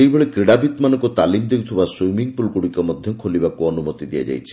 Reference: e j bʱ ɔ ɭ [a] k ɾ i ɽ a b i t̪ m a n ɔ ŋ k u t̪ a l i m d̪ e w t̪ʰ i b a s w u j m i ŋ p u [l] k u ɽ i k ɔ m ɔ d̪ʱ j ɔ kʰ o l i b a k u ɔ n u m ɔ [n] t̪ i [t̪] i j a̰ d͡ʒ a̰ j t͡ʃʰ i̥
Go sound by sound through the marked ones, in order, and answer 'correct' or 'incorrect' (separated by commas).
incorrect, correct, incorrect, incorrect